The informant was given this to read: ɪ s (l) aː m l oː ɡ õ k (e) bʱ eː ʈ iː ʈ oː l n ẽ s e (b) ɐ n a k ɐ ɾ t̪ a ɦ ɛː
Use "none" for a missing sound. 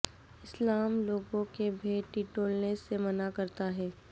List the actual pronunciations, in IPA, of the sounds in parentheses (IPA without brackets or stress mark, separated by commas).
l, e, m